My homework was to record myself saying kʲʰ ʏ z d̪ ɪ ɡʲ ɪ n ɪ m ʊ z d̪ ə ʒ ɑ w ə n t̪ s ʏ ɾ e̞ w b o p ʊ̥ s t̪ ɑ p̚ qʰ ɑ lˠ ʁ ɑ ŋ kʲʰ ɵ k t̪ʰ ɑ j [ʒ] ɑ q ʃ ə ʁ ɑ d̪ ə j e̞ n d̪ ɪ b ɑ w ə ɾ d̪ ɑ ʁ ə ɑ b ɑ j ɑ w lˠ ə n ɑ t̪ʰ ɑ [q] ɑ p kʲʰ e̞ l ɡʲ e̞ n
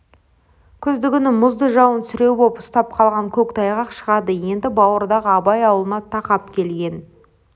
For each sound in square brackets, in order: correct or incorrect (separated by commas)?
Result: incorrect, correct